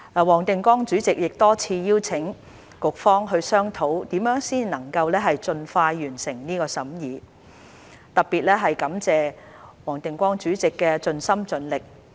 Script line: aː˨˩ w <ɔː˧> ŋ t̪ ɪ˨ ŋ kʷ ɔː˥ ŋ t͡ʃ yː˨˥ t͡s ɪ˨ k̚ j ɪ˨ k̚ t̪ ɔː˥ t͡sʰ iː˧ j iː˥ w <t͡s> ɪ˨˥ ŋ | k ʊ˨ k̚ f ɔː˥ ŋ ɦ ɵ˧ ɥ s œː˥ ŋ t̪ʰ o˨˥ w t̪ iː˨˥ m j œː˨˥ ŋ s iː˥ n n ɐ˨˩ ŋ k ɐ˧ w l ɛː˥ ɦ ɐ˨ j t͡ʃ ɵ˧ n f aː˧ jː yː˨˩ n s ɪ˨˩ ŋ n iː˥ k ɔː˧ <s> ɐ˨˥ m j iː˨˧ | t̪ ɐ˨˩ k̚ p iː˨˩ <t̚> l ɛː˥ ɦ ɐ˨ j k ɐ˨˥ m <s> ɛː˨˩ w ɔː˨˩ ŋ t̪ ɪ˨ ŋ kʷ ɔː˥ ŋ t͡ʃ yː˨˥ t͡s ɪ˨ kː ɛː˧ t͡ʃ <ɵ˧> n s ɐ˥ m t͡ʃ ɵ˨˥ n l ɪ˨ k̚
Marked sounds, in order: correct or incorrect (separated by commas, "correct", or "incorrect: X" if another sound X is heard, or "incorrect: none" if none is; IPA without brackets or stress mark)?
incorrect: ɔː˨˩, incorrect: t͡sʰ, correct, correct, incorrect: t͡s, correct